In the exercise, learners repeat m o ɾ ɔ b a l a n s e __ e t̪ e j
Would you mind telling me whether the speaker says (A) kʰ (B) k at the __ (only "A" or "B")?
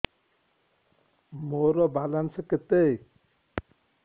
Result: B